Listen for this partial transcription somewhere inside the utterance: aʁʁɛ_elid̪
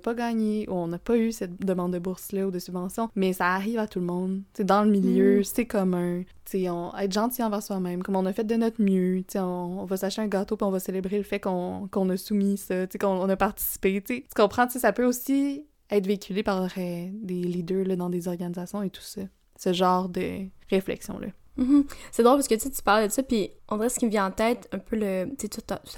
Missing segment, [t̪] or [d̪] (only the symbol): d̪